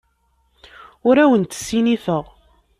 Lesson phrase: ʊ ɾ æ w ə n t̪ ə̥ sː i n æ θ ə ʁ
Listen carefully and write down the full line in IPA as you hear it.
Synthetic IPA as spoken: ʊ ɾ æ w ə n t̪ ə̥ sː i n i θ ə ʁ